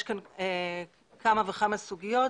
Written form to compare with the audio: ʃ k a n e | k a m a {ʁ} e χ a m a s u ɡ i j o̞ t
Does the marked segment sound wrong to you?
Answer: yes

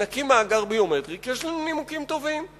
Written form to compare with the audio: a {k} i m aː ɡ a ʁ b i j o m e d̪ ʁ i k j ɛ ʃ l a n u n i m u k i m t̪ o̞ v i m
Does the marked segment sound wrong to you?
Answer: no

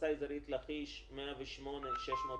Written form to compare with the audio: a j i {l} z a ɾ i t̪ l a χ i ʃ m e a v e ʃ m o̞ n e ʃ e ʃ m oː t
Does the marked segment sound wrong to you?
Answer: yes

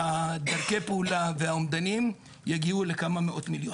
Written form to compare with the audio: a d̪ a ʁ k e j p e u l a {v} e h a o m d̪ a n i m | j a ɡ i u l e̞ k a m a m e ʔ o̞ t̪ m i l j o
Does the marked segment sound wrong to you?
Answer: no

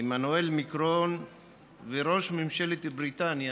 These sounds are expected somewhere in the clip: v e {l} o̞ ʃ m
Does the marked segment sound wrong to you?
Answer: yes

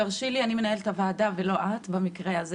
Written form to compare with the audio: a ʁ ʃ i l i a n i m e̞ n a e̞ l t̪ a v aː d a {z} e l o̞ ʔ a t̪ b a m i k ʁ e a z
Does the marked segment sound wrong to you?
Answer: yes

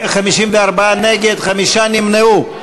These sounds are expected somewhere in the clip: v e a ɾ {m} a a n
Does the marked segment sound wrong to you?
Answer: yes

